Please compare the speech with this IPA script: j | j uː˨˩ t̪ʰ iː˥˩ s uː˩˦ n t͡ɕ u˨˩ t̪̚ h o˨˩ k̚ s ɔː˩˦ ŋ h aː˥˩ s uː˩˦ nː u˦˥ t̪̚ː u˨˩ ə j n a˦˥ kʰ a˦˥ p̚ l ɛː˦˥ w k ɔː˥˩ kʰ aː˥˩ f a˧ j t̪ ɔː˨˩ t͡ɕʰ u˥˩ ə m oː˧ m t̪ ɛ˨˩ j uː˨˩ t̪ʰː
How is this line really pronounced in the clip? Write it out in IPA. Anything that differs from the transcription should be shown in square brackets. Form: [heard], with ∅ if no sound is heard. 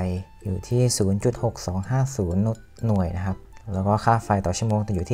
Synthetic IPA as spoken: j | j uː˨˩ t̪ʰ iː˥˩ s uː˩˦ n t͡ɕ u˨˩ t̪̚ h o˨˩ k̚ s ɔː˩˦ ŋ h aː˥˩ s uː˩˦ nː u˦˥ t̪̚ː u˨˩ ə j n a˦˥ kʰ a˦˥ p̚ l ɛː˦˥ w k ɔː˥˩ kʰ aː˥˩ f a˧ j t̪ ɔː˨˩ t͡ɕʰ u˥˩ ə m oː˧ [ŋ] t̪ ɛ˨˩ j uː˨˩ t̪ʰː